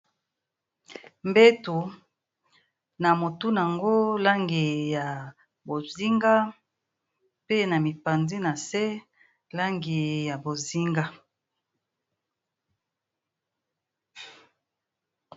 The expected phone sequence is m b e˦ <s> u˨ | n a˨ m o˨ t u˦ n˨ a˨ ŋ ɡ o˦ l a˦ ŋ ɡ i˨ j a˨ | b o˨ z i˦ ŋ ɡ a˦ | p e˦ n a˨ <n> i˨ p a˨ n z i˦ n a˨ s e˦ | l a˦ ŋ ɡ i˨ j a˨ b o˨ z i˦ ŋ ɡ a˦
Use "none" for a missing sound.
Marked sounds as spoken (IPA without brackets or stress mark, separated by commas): t, m